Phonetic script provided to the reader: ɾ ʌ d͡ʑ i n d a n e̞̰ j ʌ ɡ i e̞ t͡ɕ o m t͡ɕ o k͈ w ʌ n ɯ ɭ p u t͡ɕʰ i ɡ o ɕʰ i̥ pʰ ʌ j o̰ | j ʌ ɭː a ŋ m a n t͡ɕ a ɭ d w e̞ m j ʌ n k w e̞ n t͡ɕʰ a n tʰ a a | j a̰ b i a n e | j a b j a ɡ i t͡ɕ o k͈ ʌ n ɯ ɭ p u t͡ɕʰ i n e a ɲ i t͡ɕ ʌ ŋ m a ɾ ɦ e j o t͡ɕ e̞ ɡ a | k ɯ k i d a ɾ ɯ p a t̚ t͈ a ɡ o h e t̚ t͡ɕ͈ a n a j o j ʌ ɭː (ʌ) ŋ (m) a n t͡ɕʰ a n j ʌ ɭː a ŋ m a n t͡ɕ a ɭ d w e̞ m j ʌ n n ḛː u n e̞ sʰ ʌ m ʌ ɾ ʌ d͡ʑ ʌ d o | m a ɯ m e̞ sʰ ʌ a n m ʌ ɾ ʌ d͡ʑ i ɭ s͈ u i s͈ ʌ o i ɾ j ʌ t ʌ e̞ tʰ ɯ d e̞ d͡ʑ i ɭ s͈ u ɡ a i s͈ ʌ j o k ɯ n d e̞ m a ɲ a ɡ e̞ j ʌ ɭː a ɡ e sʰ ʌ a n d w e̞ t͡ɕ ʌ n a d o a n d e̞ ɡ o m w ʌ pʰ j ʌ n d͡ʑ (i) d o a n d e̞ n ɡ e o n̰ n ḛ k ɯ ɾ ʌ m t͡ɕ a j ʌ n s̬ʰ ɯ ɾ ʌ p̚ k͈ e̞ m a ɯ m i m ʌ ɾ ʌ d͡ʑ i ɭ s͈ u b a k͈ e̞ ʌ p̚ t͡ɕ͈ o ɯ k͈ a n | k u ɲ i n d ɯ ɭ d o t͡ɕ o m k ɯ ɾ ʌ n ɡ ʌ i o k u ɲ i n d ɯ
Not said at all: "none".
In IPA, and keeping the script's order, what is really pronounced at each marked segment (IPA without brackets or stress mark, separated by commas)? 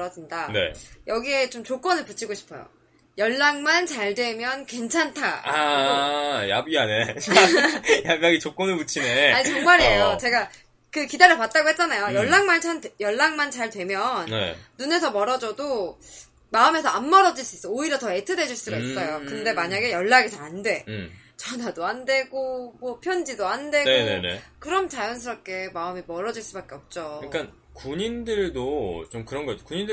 a, m, i